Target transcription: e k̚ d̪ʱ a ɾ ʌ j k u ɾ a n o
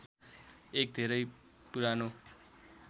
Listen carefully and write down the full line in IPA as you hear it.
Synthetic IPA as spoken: e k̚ d̪ʱ e ɾ ʌ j p u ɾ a n o